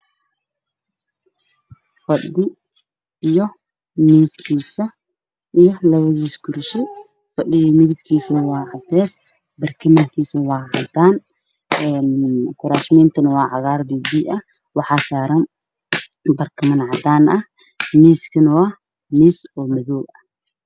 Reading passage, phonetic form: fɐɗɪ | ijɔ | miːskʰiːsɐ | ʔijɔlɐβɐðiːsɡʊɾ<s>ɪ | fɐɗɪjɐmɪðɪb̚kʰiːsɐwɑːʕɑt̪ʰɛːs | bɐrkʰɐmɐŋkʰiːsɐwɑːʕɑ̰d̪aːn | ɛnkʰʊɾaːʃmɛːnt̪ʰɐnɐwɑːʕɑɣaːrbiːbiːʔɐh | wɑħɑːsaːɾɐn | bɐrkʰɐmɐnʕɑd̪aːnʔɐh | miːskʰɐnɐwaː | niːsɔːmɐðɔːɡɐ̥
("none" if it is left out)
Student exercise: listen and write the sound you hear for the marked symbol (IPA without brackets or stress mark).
ʃ